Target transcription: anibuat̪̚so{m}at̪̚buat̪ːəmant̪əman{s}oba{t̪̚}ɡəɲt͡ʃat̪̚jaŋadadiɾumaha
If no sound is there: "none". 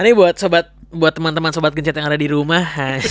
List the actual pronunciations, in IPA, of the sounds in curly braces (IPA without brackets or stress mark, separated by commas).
b, s, t̪̚